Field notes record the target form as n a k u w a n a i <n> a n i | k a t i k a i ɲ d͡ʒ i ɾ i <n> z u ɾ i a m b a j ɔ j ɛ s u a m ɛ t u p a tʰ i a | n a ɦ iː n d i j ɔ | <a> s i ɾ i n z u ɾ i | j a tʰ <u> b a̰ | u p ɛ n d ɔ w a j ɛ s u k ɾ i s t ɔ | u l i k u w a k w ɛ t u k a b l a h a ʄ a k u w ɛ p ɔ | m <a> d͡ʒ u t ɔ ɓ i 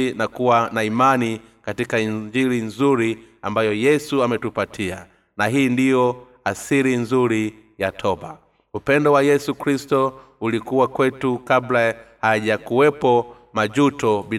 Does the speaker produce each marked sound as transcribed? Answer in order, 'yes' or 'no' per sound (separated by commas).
no, yes, yes, no, yes